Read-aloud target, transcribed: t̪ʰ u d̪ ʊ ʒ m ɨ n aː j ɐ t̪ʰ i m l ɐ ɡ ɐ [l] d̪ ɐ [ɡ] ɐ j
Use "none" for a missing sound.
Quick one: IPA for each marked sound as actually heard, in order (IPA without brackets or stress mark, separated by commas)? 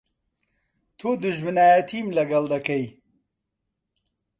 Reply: l, k